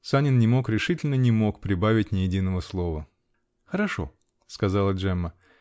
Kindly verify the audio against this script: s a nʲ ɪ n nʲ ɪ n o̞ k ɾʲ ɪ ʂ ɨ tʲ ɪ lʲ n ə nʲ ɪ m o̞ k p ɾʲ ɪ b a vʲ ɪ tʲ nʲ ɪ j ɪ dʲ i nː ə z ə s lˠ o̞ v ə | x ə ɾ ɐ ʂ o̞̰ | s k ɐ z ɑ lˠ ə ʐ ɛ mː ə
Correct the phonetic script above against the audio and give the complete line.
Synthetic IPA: s a nʲ ɪ n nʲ ɪ m o̞ k ɾʲ ɪ ʂ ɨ tʲ ɪ lʲ n ə nʲ ɪ m o̞ k p ɾʲ ɪ b a vʲ ɪ tʲ nʲ ɪ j ɪ dʲ i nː ə v ə s lˠ o̞ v ə | x ə ɾ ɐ ʂ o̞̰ | s k ɐ z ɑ lˠ ə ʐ ɛ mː ə